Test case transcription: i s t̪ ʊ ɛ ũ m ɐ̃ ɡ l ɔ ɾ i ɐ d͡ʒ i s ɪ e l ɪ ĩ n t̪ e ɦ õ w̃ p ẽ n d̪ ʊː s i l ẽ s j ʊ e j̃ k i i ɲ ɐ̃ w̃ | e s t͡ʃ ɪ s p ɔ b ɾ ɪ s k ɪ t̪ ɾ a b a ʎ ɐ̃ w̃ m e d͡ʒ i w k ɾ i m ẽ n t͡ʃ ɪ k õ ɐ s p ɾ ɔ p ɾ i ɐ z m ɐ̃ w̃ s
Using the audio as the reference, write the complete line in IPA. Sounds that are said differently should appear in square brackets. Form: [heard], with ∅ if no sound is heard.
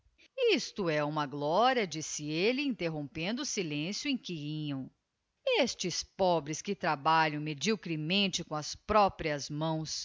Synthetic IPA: i s t̪ ʊ ɛ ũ m [ɐ] ɡ l ɔ ɾ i ɐ d͡ʒ i s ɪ e l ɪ ĩ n t̪ e ɦ õ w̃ p ẽ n d̪ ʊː s i l ẽ s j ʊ [ẽ] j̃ k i i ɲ ɐ̃ w̃ | e s t͡ʃ ɪ s p ɔ b ɾ ɪ s k ɪ t̪ ɾ a b a ʎ ɐ̃ w̃ m e d͡ʒ i w k ɾ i m ẽ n t͡ʃ ɪ k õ ɐ s p ɾ ɔ p ɾ i ɐ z m ɐ̃ w̃ s